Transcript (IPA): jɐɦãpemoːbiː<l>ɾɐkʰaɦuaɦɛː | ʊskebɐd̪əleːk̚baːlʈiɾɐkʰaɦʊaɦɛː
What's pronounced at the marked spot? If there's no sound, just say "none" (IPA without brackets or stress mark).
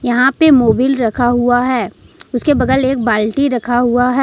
l